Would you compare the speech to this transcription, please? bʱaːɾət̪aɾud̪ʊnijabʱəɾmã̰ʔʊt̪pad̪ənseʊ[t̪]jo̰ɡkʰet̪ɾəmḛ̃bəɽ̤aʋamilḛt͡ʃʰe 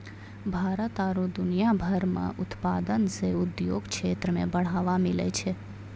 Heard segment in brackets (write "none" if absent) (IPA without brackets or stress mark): d̪